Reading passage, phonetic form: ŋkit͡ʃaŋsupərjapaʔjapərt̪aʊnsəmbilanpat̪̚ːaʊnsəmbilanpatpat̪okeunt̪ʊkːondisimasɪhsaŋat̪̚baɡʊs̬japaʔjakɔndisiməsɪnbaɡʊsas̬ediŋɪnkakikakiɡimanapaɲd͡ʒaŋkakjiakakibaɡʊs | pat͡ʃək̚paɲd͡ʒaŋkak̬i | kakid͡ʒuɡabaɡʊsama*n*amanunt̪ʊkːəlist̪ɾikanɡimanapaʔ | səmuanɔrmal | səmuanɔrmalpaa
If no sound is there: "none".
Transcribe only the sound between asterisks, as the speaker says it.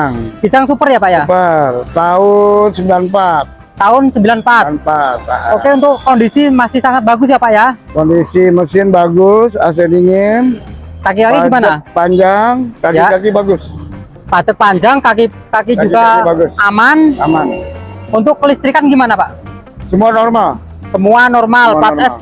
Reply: n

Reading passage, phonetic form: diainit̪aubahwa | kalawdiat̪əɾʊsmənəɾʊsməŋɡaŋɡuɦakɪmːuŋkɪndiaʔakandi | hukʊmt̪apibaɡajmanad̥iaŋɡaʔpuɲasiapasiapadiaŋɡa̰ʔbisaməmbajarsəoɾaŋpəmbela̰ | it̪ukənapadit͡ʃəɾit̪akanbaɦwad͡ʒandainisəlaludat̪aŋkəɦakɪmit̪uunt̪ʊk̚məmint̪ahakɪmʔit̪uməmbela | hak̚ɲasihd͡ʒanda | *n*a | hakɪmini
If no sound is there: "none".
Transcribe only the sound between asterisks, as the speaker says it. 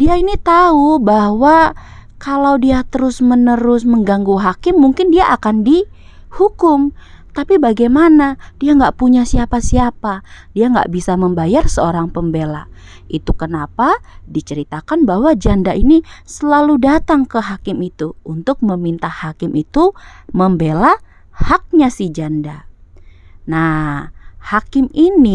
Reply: n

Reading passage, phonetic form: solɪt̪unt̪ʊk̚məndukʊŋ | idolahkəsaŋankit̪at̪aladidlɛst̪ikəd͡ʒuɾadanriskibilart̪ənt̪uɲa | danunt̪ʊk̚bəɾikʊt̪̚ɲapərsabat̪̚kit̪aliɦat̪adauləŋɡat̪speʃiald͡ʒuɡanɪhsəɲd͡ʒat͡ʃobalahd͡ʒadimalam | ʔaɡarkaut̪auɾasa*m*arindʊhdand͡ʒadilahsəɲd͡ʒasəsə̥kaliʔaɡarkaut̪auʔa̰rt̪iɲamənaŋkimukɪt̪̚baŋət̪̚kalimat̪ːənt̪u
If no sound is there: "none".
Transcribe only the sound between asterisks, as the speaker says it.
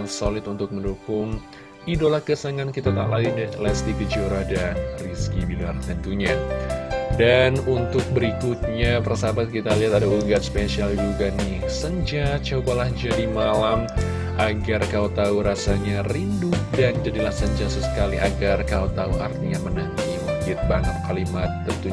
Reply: ɲ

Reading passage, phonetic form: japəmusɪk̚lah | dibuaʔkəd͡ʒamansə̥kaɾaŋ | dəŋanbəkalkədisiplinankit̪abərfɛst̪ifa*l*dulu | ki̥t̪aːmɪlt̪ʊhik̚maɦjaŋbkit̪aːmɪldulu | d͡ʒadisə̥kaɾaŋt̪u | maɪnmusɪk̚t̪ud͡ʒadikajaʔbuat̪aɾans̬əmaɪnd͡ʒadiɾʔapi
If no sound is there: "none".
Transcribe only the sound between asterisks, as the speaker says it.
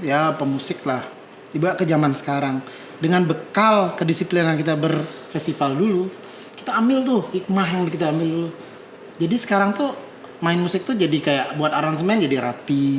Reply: l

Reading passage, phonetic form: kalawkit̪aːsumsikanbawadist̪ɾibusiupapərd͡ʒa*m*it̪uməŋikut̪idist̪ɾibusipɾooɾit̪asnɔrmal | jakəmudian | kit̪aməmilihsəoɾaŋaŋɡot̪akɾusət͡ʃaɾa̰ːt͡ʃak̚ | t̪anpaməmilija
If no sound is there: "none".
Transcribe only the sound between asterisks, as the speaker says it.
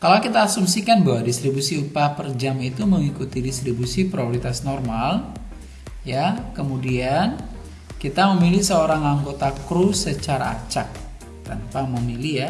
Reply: m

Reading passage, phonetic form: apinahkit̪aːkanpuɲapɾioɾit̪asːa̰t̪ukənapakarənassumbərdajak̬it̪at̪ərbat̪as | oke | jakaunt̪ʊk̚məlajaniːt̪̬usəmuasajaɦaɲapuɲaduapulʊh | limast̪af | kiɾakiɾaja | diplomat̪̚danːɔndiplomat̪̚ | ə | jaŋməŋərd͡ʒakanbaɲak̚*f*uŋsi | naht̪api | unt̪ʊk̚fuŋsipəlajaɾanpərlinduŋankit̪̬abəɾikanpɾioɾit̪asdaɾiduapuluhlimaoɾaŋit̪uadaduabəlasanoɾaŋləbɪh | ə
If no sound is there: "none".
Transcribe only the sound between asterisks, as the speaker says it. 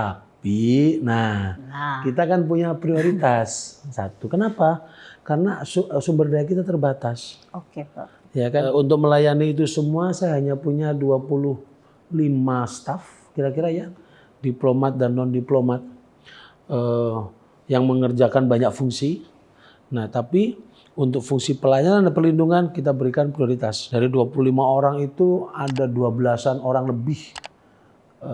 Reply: f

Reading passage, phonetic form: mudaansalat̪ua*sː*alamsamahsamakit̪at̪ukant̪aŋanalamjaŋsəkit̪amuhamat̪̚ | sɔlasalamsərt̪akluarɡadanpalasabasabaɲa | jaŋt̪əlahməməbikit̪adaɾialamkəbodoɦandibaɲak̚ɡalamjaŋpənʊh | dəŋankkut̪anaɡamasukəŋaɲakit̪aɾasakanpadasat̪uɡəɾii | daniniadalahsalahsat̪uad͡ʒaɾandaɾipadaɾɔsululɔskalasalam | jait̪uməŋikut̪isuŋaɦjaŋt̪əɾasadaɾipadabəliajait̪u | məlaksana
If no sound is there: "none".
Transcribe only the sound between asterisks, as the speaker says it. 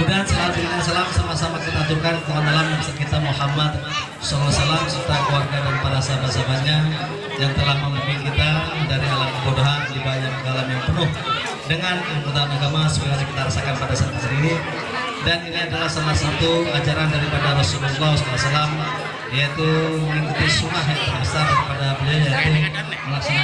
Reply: s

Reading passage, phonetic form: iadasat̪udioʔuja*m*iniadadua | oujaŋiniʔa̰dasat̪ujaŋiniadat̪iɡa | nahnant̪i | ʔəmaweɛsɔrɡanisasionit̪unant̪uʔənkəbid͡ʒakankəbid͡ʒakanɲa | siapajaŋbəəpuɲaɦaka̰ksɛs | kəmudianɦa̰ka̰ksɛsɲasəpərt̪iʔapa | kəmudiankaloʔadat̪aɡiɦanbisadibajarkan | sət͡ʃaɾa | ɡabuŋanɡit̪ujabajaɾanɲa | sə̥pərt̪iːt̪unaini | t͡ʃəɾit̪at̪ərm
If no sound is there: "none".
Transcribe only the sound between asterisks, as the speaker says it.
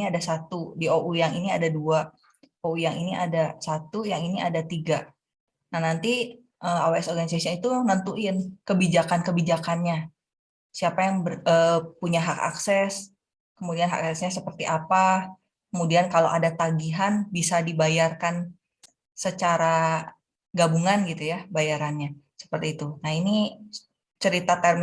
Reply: ŋ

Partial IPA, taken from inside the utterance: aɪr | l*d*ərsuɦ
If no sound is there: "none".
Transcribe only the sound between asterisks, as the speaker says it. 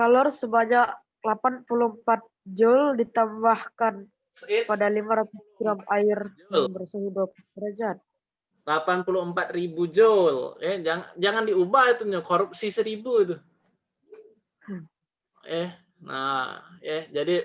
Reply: b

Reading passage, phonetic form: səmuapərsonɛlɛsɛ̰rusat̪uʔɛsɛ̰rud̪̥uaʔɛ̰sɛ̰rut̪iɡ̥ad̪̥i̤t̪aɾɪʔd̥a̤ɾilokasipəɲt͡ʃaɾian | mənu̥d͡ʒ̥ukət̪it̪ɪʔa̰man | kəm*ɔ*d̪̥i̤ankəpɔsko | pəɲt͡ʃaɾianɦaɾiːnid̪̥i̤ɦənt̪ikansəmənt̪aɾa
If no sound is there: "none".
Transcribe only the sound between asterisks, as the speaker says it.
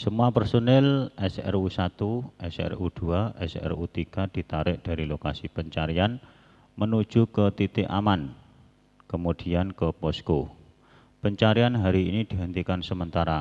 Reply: u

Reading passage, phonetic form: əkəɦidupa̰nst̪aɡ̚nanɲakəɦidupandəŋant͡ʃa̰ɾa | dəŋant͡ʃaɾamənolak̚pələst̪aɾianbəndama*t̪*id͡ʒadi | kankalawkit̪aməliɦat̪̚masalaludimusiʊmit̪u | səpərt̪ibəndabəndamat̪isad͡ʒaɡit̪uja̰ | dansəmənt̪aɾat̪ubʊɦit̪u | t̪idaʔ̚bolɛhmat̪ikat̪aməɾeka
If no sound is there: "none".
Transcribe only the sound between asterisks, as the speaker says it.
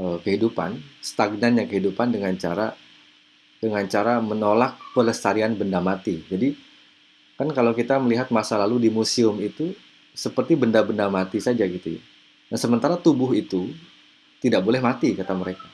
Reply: t̪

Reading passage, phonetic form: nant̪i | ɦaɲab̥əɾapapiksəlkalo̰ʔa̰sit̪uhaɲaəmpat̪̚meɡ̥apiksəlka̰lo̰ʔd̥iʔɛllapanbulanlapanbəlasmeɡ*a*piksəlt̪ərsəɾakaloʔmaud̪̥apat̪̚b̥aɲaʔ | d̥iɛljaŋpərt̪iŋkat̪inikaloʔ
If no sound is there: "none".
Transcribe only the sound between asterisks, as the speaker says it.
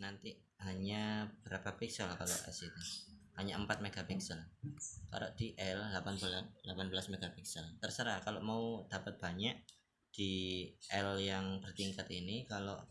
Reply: a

